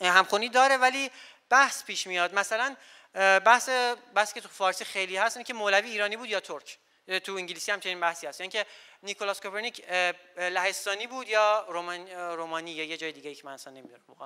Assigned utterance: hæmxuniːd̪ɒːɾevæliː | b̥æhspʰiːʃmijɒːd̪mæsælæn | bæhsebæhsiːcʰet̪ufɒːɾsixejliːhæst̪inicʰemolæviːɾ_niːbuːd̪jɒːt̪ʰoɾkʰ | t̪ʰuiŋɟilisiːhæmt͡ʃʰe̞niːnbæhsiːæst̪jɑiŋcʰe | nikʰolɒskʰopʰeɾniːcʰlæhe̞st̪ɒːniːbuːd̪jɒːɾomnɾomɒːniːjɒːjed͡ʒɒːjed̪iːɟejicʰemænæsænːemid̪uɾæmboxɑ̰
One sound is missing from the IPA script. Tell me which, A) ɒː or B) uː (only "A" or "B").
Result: A